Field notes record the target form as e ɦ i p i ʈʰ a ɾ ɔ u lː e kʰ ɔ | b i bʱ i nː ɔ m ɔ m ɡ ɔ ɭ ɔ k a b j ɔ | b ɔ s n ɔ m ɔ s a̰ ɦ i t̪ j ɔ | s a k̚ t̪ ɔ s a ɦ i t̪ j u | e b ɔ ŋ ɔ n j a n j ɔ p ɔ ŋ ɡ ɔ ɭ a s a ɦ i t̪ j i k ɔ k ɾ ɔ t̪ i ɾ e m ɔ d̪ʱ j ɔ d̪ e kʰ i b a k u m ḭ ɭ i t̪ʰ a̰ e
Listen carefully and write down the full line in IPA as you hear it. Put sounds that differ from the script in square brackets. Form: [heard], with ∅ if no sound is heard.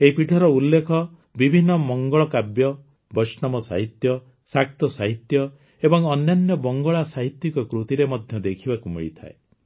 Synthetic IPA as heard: e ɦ i p i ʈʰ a ɾ ɔ u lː e kʰ ɔ | b i bʱ i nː ɔ m ɔ [ŋ] ɡ ɔ ɭ ɔ k a b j ɔ | b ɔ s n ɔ m ɔ s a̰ ɦ i t̪ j ɔ | s a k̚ t̪ ɔ s a ɦ i t̪ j [ɔ] | e b ɔ ŋ ɔ n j a n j ɔ [b] ɔ ŋ ɡ ɔ ɭ a s a ɦ i t̪ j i k ɔ k ɾ [u] t̪ i ɾ e m ɔ d̪ʱ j ɔ d̪ e kʰ i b a k u m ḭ ɭ i t̪ʰ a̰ e

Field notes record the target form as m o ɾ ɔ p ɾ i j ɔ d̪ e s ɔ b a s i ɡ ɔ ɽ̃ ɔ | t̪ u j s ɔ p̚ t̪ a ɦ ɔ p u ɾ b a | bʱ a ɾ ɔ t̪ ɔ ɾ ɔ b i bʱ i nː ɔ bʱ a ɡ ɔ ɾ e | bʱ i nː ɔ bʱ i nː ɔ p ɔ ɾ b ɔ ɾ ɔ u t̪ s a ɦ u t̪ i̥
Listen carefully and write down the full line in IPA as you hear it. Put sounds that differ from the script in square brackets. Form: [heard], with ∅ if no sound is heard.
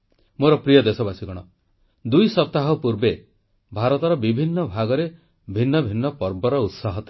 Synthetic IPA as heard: m o ɾ ɔ p ɾ i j ɔ d̪ e s ɔ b a s i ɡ ɔ ɽ̃ ɔ | [d̪] u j s ɔ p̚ t̪ a ɦ ɔ p u ɾ b [e] | bʱ a ɾ ɔ t̪ ɔ ɾ ɔ b i bʱ i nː ɔ bʱ a ɡ ɔ ɾ e | bʱ i nː ɔ bʱ i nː ɔ p ɔ ɾ b ɔ ɾ ɔ u t̪ s a ɦ [ɔ] t̪ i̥

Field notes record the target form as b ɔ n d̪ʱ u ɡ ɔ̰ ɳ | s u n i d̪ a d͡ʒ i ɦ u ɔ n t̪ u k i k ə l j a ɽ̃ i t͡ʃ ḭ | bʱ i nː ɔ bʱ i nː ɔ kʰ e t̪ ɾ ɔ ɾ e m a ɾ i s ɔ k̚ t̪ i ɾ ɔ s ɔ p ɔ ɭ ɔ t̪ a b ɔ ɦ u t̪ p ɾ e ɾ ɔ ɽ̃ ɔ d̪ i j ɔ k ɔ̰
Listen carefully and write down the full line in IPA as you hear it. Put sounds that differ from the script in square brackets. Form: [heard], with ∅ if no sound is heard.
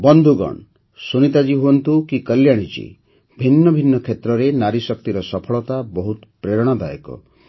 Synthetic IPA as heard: b ɔ n d̪ʱ u ɡ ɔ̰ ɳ | s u n i [t̪] a d͡ʒ i ɦ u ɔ n t̪ u k i k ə l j a ɽ̃ i t͡ʃ ḭ | bʱ i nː ɔ bʱ i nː ɔ kʰ e t̪ ɾ ɔ ɾ e [n] a ɾ i s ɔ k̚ t̪ i ɾ ɔ s ɔ [pʰ] ɔ ɭ ɔ t̪ a b ɔ ɦ u t̪ p ɾ e ɾ ɔ ɽ̃ ɔ d̪ [a] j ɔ k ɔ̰

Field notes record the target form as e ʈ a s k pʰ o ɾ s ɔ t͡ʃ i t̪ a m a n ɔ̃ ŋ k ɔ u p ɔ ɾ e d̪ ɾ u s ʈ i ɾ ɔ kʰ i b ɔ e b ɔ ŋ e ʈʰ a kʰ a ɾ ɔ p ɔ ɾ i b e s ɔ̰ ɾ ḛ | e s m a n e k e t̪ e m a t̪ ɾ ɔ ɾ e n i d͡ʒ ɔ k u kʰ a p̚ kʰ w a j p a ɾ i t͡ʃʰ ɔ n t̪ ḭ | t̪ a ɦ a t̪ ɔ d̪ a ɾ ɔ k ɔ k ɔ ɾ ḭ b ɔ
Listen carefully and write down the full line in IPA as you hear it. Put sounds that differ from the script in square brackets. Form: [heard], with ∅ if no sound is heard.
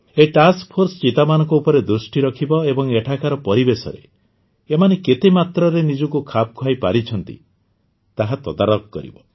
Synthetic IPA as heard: e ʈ a s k pʰ o ɾ s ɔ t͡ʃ i t̪ a m a n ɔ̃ ŋ k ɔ u p ɔ ɾ e d̪ ɾ u s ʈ i ɾ ɔ kʰ i b ɔ e b ɔ ŋ e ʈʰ a [k] a ɾ ɔ p ɔ ɾ i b e s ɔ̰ ɾ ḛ | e [∅] m a n e k e t̪ e m a t̪ ɾ ɔ ɾ e n i d͡ʒ ɔ k u kʰ a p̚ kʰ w a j p a ɾ i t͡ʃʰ ɔ n t̪ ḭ | t̪ a ɦ a t̪ ɔ d̪ a ɾ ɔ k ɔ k ɔ ɾ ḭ b ɔ

